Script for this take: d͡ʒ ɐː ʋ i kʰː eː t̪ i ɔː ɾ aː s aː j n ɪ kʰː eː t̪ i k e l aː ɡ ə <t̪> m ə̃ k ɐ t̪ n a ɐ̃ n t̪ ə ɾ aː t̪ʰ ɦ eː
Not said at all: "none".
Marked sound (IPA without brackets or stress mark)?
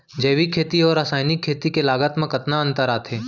t̪